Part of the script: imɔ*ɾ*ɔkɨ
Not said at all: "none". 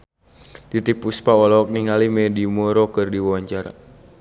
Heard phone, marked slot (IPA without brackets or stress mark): ɾ